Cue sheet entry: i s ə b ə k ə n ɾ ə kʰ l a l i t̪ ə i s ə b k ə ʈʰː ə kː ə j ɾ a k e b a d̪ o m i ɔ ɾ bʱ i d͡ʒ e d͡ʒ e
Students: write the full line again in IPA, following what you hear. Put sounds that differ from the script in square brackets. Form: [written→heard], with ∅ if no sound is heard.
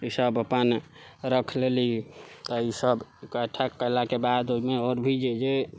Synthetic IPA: i s ə b ə [k→p] ə n ɾ ə kʰ l [a→e] l i t̪ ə i s ə b k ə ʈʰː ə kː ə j [ɾ→l] a k e b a d̪ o m [i→e] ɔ ɾ bʱ i d͡ʒ e d͡ʒ e

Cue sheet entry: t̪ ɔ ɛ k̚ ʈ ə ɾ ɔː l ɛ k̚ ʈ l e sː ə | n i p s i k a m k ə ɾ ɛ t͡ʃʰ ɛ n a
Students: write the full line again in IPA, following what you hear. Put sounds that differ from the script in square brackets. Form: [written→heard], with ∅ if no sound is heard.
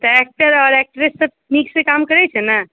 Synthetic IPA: t̪ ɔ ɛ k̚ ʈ ə ɾ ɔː [l→ɾ] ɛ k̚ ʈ [l→ɾ] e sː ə | n i [p→k] s [i→e] k a m k ə ɾ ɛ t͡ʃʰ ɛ n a

